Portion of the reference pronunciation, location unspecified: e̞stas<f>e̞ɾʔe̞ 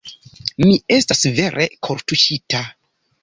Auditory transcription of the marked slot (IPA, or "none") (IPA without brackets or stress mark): v